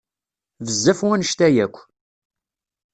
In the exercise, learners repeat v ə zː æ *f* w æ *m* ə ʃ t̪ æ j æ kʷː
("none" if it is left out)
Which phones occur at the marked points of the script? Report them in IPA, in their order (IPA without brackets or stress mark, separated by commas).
f, n